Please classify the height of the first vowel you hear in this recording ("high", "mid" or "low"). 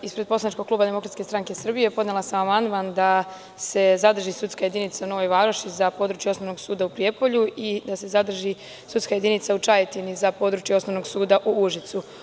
high